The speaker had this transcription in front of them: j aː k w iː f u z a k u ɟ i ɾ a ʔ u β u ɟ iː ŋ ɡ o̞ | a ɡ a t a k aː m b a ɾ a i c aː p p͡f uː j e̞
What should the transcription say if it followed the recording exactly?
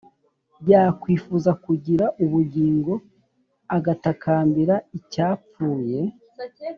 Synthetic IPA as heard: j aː k w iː f u z a k u ɟ i ɾ a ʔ u β u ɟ iː ŋ ɡ o̞ | a ɡ a t a k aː m b i ɾ a i c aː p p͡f uː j e̞

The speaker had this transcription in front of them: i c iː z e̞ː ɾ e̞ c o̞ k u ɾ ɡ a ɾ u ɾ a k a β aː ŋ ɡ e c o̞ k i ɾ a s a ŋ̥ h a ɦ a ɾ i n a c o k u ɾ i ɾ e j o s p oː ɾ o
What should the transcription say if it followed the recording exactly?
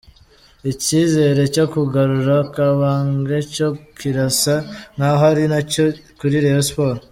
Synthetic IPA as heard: i c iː z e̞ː ɾ e̞ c o̞ k u ɡ a ɾ u ɾ a k a β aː ŋ ɡ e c o̞ k i ɾ a s a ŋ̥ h a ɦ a ɾ i n a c o k u ɾ i ɾ e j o s p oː ɾ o

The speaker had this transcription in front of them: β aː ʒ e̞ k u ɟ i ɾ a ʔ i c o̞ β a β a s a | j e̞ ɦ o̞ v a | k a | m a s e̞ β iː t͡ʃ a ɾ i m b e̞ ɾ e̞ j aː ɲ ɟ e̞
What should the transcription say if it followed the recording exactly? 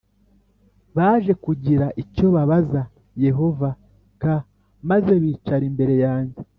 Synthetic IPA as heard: β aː ʒ e̞ k u ɟ i ɾ a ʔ i c o̞ β a β a z a | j e̞ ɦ o̞ v a | k a | m a z e̞ β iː t͡ʃ a ɾ i m b e̞ ɾ e̞ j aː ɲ ɟ e̞

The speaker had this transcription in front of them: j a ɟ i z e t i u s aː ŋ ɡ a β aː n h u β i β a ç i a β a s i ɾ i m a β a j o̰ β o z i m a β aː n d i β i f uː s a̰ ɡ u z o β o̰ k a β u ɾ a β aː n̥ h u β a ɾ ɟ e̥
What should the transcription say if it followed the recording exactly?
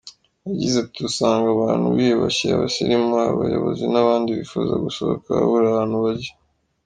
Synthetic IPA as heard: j a ɟ i z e t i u s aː ŋ ɡ a β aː n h u β i β a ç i a β a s i ɾ i m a β a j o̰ β o z i n a β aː n d i β i f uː z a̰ ɡ u s o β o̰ k a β u ɾ a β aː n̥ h u β a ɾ ɟ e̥

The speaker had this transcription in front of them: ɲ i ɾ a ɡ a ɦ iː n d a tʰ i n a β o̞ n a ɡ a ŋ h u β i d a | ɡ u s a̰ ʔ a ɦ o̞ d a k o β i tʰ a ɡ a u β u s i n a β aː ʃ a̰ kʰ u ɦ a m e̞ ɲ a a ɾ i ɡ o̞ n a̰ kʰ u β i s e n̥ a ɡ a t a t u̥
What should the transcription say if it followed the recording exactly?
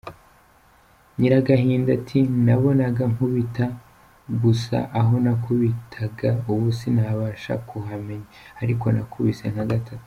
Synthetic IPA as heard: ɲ i ɾ a ɡ a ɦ iː n d a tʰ i n a β o̞ n a ɡ a ŋ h u β i t a | ɡ u s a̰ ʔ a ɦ o̞ n a k u β i tʰ a ɡ a u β u s i n a β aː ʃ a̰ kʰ u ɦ a m e̞ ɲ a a ɾ i k o̞ n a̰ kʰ u β i s e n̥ a ɡ a t a t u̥

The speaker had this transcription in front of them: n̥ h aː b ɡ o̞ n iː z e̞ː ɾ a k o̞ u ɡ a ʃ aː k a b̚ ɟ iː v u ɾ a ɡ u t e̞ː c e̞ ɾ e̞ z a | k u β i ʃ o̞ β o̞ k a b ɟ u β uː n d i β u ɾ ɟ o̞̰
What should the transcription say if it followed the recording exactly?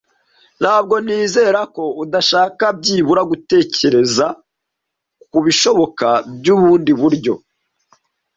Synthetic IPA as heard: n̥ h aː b ɡ o̞ n iː z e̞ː ɾ a k o̞ u d a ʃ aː k a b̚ ɟ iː β u ɾ a ɡ u t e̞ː c e̞ ɾ e̞ z a | k u β i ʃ o̞ β o̞ k a b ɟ u β uː n d i β u ɾ ɟ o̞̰

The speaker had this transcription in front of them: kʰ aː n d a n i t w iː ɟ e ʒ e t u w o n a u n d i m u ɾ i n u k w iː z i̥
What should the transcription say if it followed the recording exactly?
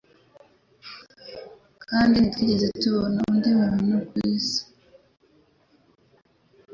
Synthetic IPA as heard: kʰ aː n d i n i t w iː ɟ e z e t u β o n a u n d i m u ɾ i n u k w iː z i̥

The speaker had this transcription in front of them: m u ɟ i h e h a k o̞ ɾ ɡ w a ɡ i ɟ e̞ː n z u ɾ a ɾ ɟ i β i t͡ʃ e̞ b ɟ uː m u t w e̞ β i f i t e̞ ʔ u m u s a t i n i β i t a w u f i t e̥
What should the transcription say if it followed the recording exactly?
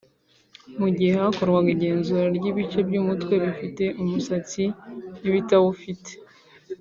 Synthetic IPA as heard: m u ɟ i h e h a k o̞ ɾ ɡ w a ɡ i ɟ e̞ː n z u ɾ a ɾ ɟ i β i t͡ʃ e̞ b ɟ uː m u t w e̞ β i f i t e̞ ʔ u m u s a t͡s i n i β i t a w u f i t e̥

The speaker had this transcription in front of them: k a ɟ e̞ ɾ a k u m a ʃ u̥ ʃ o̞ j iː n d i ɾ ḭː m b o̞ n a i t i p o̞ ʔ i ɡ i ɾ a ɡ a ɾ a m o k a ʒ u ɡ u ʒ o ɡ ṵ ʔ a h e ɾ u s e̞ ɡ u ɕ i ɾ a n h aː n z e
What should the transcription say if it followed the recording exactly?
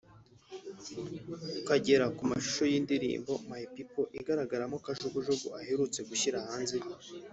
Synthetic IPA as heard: k a ɟ e̞ ɾ a k u m a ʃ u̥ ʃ o̞ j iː n d i ɾ ḭː m b o̞ m a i p i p o̞ ʔ i ɡ a ɾ a ɡ a ɾ a m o k a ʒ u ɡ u ʒ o ɡ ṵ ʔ a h e ɾ u t͡s e̞ ɡ u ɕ i ɾ a h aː n z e

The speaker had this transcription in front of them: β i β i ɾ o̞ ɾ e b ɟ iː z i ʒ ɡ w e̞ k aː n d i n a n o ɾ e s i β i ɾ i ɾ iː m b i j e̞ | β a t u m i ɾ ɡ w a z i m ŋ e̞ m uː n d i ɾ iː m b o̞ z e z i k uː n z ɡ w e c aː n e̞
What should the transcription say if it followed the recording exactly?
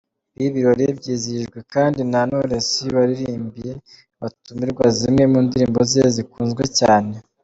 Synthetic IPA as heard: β i β i ɾ o̞ ɾ e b ɟ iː z i ʒ ɡ w e̞ k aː n d i n a n o ɾ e s i β a ɾ i ɾ iː m b i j e̞ | β a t u m i ɾ ɡ w a z i m ŋ e̞ m uː n d i ɾ iː m b o̞ z e z i k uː n z ɡ w e c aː n e̞

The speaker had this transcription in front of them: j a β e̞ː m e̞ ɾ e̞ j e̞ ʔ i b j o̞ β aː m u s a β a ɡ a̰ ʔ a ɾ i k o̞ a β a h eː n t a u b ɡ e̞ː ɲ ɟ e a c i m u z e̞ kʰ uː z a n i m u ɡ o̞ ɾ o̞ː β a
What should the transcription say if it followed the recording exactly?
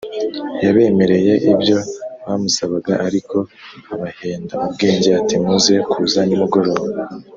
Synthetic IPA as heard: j a β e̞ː m e̞ ɾ e̞ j e̞ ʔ i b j o̞ β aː m u s a β a ɡ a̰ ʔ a ɾ i k o̞ a β a h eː n d a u b ɡ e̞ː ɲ ɟ e a t i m u z e̞ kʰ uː z a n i m u ɡ o̞ ɾ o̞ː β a

